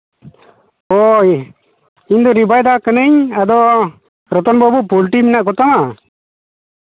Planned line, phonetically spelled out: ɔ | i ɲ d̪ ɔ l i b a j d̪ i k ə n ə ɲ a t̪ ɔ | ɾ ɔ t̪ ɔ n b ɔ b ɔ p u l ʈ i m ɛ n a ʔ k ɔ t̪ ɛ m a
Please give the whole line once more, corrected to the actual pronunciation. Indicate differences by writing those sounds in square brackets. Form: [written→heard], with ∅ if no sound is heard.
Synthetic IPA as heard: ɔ | i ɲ d̪ ɔ [l→ɾ] i b a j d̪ [i→a] k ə n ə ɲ a [t̪→d̪] ɔ | ɾ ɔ t̪ ɔ n b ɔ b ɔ p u l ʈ i m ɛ n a ʔ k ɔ t̪ [ɛ→a] m a